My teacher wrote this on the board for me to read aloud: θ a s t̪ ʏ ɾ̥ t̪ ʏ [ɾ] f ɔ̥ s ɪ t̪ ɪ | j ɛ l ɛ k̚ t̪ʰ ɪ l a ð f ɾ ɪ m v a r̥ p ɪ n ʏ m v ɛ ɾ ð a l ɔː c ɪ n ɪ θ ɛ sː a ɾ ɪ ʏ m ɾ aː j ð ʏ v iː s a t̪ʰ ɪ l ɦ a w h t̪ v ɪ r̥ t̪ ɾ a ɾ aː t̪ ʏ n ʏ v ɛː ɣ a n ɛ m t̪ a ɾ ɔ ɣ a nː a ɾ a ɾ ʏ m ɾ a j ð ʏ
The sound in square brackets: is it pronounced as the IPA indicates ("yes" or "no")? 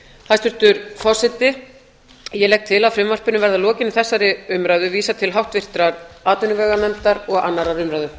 yes